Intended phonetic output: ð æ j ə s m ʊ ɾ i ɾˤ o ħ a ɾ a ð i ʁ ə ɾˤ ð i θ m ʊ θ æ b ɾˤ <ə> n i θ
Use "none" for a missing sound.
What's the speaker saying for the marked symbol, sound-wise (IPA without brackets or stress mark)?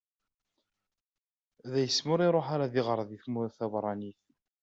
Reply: ɑ